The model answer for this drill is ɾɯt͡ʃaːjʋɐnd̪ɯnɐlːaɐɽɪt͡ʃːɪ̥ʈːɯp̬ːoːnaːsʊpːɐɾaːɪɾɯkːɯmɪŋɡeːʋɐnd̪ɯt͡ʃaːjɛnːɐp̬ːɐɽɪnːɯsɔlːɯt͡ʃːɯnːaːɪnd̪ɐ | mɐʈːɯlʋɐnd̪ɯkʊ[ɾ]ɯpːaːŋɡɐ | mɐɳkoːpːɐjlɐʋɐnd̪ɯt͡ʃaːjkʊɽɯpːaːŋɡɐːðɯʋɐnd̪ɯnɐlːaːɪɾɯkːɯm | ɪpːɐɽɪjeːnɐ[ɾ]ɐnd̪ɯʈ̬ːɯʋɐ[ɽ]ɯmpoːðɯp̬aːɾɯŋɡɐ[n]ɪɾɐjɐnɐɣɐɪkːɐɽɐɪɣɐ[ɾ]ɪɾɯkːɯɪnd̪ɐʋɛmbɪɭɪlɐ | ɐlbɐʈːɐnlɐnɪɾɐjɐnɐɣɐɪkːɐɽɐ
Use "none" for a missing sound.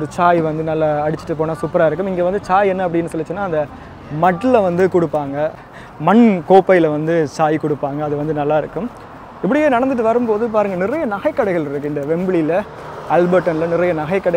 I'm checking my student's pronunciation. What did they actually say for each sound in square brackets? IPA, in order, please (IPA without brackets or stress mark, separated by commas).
ɽ, ɽ, ɾ, n, ɭ